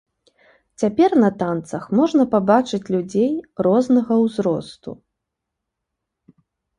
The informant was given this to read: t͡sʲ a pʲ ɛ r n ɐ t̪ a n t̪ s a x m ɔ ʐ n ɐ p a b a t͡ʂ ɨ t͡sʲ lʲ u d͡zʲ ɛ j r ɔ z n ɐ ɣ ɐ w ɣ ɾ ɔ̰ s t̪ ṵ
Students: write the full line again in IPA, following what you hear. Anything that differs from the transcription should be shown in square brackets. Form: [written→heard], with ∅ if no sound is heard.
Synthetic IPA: t͡sʲ a pʲ ɛ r n ɐ t̪ a n t̪ s [a→ɐ] x m ɔ ʐ n ɐ p a b a t͡ʂ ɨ t͡sʲ lʲ u d͡zʲ [ɛ→e] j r ɔ z n ɐ ɣ ɐ w [ɣ→z] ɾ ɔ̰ s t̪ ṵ

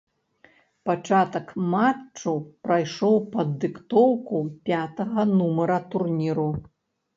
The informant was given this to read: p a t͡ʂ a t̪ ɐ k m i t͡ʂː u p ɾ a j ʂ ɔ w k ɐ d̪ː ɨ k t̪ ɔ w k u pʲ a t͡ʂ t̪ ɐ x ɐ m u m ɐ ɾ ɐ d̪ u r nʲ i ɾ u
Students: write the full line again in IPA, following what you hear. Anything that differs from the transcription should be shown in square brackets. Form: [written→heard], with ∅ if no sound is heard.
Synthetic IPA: p a t͡ʂ a t̪ ɐ k m [i→a] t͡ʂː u p ɾ a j ʂ ɔ w [k→p] ɐ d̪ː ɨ k t̪ ɔ w k u pʲ a [t͡ʂ→∅] t̪ ɐ [x→ɣ] ɐ [m→n] u m ɐ ɾ ɐ [d̪→t̪] u r nʲ i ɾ u

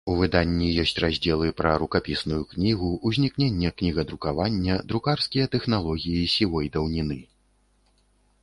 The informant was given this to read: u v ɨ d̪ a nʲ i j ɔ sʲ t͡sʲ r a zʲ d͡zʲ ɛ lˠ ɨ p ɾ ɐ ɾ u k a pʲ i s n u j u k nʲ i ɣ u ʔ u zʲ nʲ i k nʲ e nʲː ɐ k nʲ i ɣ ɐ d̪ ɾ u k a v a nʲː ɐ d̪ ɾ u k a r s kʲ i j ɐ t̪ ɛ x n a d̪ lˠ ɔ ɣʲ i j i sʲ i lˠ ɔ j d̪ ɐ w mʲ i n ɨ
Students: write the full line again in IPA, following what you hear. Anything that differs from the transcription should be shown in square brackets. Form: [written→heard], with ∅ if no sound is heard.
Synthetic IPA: u v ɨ d̪ a [nʲ→nʲː] i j ɔ sʲ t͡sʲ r a zʲ d͡zʲ ɛ lˠ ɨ p ɾ ɐ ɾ u k a pʲ i s n u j u k nʲ i ɣ u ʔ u zʲ nʲ i k nʲ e nʲː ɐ k nʲ i ɣ ɐ d̪ ɾ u k a v a nʲː ɐ d̪ ɾ u k a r s kʲ i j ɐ t̪ ɛ x n a [d̪→∅] lˠ ɔ ɣʲ i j i sʲ i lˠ ɔ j d̪ ɐ w [mʲ→nʲ] i n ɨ

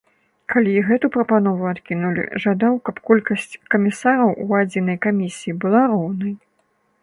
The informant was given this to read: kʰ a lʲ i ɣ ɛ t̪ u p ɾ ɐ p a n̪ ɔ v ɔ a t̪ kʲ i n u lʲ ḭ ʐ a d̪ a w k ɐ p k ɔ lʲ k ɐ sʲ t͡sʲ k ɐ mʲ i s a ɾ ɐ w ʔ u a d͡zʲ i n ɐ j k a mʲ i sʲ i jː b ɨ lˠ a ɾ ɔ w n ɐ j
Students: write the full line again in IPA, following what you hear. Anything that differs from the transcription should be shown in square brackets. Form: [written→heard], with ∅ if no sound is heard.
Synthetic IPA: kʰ a lʲ i ɣ ɛ t̪ u p ɾ ɐ p a n̪ ɔ v [ɔ→u] a t̪ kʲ i n u lʲ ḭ ʐ a d̪ a w k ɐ p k ɔ lʲ k ɐ sʲ t͡sʲ k ɐ mʲ i s a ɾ ɐ w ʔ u a d͡zʲ i n ɐ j k a mʲ i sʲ i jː b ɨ lˠ a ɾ ɔ w n ɐ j

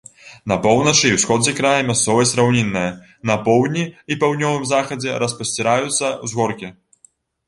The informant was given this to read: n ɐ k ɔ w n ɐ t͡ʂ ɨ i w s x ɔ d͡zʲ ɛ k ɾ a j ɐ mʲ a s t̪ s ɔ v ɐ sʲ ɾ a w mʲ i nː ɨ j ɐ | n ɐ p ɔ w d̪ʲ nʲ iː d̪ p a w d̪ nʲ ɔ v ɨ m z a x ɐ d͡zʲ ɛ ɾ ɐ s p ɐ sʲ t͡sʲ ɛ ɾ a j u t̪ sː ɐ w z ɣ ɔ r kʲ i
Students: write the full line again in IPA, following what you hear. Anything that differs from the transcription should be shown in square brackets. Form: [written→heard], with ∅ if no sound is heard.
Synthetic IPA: n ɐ [k→p] ɔ w n ɐ t͡ʂ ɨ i w s x ɔ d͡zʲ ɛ k ɾ a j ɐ mʲ a s t̪ s ɔ v ɐ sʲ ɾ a w [mʲ→nʲ] i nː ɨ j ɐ | n ɐ p ɔ w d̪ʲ nʲ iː [d̪→∅] p a w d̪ nʲ ɔ v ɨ m z a x ɐ d͡zʲ ɛ ɾ ɐ s p ɐ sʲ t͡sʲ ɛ ɾ a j u t̪ sː ɐ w z ɣ ɔ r kʲ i

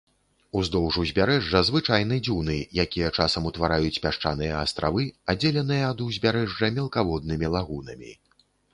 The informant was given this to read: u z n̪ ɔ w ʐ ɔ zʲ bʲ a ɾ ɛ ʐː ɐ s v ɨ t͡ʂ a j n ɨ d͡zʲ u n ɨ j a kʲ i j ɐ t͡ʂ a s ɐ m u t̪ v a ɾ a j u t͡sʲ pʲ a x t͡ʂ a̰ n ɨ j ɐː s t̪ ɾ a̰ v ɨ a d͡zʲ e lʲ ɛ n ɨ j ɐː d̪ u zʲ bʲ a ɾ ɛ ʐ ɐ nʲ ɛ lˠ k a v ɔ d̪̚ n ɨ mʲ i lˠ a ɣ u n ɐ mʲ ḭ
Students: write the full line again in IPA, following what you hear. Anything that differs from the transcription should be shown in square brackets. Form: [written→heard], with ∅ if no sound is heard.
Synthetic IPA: u z [n̪→d̪] ɔ w ʐ [ɔ→u] zʲ bʲ a ɾ ɛ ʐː ɐ [s→z] v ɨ t͡ʂ a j n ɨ d͡zʲ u n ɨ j a kʲ i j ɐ t͡ʂ a s ɐ m u t̪ v a ɾ a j u t͡sʲ pʲ a [x→ʂ] t͡ʂ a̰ n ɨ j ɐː s t̪ ɾ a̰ v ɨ a d͡zʲ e lʲ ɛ n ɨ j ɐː d̪ u zʲ bʲ a ɾ ɛ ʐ ɐ [nʲ→mʲ] ɛ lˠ k a v ɔ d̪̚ n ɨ mʲ i lˠ a ɣ u n ɐ mʲ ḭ

